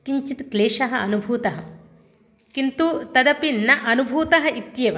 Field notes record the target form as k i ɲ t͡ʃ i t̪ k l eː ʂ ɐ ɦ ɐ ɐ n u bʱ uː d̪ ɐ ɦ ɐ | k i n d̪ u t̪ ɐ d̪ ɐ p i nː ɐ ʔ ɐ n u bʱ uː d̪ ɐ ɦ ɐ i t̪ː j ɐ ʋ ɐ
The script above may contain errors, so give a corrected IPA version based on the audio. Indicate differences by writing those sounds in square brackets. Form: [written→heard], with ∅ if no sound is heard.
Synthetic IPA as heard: k i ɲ t͡ʃ i t̪ k l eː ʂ ɐ ɦ ɐ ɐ n u bʱ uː [d̪→t̪] ɐ ɦ ɐ | k i n [d̪→t̪] u t̪ ɐ d̪ ɐ p i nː ɐ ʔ ɐ n u bʱ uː [d̪→t̪] ɐ ɦ ɐ i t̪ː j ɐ ʋ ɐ